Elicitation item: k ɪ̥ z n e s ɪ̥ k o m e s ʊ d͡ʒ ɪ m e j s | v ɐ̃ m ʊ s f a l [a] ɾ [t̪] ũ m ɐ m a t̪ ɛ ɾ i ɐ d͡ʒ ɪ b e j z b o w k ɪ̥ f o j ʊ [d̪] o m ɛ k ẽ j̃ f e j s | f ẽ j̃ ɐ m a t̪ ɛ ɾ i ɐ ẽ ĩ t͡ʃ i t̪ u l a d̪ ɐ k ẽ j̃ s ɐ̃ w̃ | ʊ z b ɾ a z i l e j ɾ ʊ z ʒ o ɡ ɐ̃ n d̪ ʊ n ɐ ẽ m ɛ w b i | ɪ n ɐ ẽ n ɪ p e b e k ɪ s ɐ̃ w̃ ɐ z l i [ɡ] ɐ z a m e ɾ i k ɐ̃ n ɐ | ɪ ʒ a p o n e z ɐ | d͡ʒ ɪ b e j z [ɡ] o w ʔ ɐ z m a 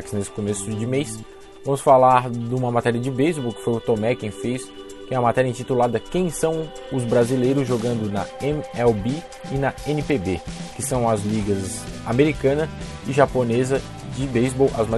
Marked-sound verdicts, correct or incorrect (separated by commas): correct, incorrect, incorrect, correct, incorrect